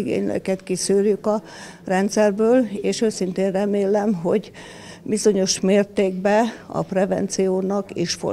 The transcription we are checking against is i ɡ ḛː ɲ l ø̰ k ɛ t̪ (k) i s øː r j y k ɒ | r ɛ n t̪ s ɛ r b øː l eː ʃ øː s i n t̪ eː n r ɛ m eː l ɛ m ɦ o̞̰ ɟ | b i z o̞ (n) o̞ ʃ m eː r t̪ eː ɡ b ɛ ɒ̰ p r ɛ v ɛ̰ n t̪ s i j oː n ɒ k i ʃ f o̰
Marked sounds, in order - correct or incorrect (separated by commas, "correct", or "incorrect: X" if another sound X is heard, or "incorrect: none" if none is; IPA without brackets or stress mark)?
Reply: correct, incorrect: ɲ